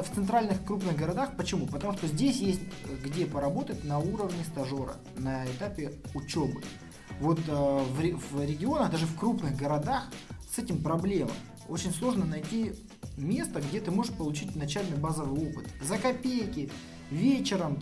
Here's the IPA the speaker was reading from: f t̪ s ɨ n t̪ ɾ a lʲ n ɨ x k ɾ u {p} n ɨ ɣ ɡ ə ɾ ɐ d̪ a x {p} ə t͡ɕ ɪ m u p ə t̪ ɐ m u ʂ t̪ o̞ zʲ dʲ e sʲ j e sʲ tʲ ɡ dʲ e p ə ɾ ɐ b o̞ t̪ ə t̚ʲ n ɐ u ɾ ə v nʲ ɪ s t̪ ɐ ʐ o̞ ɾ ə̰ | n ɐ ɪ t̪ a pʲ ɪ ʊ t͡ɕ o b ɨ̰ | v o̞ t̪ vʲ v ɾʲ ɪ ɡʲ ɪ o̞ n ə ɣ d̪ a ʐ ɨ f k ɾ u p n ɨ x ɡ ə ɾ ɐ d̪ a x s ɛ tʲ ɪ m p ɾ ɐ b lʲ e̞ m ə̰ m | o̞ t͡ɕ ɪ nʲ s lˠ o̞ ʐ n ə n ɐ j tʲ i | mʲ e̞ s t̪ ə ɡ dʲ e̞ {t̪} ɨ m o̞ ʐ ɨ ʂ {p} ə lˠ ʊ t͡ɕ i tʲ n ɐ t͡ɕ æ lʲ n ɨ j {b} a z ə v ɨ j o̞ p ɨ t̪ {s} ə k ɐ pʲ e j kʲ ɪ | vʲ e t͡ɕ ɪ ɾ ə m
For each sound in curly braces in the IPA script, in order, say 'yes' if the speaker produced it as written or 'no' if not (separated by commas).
yes, yes, yes, yes, yes, no